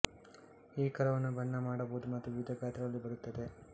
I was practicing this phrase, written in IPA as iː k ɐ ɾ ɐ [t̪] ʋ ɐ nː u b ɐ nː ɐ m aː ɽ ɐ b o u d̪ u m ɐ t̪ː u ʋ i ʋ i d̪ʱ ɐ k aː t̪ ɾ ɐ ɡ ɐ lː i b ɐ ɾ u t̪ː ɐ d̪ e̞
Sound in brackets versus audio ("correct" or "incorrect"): incorrect